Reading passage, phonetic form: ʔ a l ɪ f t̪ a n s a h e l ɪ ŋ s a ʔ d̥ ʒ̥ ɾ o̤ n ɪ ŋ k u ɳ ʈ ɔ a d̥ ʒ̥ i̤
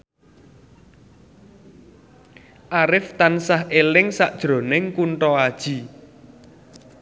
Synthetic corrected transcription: ʔ a ɾ ɪ f t̪ a n s a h e l ɪ ŋ s a ʔ d̥ ʒ̥ ɾ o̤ n ɪ ŋ k u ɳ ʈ ɔ a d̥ ʒ̥ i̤

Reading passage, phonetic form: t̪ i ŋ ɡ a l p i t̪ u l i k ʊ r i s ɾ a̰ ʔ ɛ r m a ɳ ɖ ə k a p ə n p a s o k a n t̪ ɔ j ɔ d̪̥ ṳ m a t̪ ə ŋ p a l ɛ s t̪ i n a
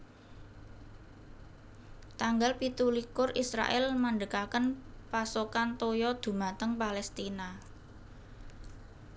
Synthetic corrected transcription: t̪ a ŋ ɡ a l p i t̪ u l i k ʊ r i s ɾ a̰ ʔ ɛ l m a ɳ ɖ ə k a k ə n p a s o k a n t̪ o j ɔ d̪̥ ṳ m a t̪ ə ŋ p a l ɛ s t̪ i n a

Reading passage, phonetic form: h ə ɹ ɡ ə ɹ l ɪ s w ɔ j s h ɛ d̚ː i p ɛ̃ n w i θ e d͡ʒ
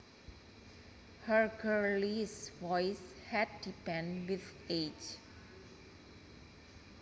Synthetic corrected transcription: h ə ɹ ɡ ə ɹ l i s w ɔ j s h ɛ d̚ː i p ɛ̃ n w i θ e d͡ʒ

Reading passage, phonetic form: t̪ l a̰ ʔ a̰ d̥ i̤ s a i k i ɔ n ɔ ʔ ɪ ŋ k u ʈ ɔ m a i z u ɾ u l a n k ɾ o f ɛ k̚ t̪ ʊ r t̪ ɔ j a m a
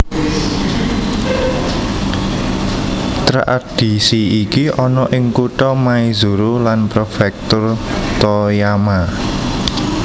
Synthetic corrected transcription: t̪ ɾ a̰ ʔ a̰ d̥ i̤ s i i k i ɔ n ɔ ʔ ɪ ŋ k u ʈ ɔ m a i z u ɾ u l a n p ɾ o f ɛ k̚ t̪ ʊ r t̪ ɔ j a m a

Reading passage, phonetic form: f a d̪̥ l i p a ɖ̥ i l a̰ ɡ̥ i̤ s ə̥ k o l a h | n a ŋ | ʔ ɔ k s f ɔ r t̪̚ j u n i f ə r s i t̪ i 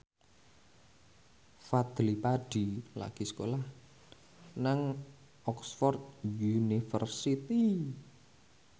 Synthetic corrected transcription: f a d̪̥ l i p a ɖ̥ i l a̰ ɡ̥ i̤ s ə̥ k o l a h | n a ŋ | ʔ ɔ k s f ɔ r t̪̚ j u n i f ə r s i t̪ i

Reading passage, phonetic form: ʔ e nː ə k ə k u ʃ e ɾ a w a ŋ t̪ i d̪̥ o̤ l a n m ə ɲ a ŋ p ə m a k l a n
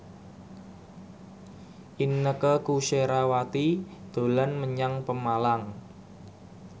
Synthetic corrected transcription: ʔ i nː ə k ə k u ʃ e ɾ a w a t̪ i d̪̥ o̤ l a n m ə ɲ a ŋ p ə m a l a ŋ

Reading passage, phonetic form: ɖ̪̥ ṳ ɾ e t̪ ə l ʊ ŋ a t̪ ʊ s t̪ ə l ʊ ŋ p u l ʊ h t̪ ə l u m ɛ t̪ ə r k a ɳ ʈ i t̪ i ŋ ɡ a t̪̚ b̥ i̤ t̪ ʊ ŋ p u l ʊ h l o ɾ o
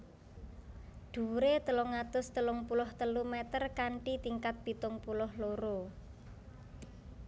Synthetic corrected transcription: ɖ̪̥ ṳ ɾ e t̪ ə l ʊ ŋ a t̪ ʊ s t̪ ə l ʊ ŋ p u l ʊ h t̪ ə l u m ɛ t̪ ə r k a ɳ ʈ i t̪ i ŋ k a t̪̚ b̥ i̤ t̪ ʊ ŋ p u l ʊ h l o ɾ o

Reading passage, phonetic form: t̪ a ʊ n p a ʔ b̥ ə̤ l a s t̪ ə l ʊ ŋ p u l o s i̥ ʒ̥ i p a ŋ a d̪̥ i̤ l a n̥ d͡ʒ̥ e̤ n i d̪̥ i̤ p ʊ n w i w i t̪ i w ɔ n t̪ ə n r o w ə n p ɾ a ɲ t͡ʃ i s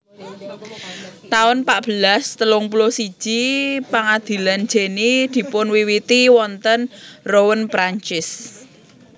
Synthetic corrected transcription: t̪ a ʊ n p a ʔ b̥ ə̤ l a s t̪ ə l ʊ ŋ p u l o s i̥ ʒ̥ i p a ŋ a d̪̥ i̤ l a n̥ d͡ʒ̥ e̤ n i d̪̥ i̤ p ʊ n w i w i t̪ i w ɔ n t̪ ə n r o w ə n p ɾ a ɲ t͡ʃ ɪ s

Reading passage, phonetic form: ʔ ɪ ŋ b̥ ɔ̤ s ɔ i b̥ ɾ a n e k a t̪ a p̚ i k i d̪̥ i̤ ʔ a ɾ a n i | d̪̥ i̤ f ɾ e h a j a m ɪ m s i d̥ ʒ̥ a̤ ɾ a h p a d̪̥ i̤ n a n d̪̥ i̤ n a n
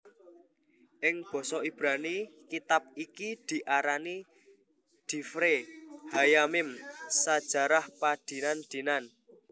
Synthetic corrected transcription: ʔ ɪ ŋ b̥ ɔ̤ s ɔ i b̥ ɾ a n i k i t̪ a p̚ i k i d̪̥ i̤ ʔ a ɾ a n i | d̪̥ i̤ f ɾ e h a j a m ɪ m s a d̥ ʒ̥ a̤ ɾ a h p a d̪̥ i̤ n a n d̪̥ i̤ n a n

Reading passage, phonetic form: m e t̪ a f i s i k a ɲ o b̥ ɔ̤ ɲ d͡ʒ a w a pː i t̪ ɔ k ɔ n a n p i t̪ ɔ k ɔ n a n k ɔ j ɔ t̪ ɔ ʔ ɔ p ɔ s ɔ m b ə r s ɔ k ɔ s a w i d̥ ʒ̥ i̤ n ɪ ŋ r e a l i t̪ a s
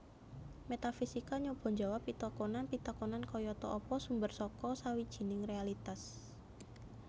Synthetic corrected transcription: m e t̪ a f i s i k a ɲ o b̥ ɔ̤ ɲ d͡ʒ a w a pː i t̪ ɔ k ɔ n a n p i t̪ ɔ k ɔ n a n k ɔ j ɔ t̪ ɔ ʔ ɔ p ɔ s u m b ə r s ɔ k ɔ s a w i d̥ ʒ̥ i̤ n ɪ ŋ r e a l i t̪ a s

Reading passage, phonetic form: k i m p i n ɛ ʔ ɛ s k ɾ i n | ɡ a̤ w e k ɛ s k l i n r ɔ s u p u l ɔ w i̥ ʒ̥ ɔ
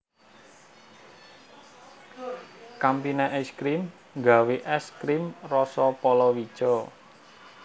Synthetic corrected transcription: k a m p i n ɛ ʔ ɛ s k ɾ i m | ɡ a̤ w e ʔ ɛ s k ɾ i m r ɔ s ɔ p ɔ l ɔ w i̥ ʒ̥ ɔ

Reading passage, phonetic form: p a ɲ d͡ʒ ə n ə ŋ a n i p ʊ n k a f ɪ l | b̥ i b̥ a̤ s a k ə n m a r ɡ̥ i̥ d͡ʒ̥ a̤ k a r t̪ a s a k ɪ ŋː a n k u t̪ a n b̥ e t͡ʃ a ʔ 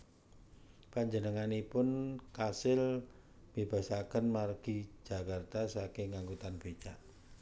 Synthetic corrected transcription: p a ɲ d͡ʒ ə n ə ŋ a n i p ʊ n k a s ɪ l | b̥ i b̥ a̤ s a k ə n m a r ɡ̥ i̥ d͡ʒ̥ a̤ k a r t̪ a s a k ɪ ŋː a ŋ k u t̪ a n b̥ e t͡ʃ a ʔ

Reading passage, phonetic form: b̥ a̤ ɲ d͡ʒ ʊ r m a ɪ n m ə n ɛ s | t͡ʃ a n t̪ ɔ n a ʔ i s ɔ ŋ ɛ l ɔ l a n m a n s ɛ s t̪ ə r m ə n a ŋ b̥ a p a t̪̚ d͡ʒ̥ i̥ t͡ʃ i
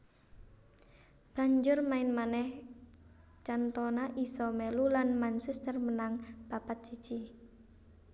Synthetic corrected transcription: b̥ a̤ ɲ d͡ʒ ʊ r m a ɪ n m a n ɛ h | t͡ʃ a n t̪ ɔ n a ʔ i s ɔ m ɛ l u l a n m a n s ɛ s t̪ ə r m ə n a ŋ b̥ a p a t̪̚ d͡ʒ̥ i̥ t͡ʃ i

